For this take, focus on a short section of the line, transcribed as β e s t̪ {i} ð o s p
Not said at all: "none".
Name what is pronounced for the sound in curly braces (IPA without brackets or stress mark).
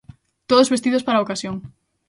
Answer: i